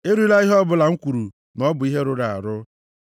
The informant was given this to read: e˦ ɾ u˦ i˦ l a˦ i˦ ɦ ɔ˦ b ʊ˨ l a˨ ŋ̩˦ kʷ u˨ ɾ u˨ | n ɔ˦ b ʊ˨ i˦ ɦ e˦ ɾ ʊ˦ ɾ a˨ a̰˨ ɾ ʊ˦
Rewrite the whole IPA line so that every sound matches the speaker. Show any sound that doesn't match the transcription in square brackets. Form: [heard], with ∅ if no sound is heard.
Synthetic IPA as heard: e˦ ɾ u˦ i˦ l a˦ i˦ ɦ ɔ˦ b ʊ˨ l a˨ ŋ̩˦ kʷ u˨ ɾ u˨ | n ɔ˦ b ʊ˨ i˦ ɦ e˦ ɾ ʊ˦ ɾ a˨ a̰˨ ɾ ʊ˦